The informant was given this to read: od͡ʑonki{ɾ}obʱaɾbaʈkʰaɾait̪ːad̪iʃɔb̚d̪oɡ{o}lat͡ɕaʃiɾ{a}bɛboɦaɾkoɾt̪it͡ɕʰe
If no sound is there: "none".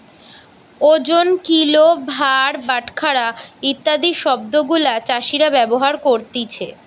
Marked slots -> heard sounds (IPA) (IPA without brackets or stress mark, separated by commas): l, u, a